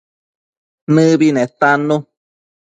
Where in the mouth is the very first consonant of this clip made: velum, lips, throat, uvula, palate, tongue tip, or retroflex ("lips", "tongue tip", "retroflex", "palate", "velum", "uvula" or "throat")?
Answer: tongue tip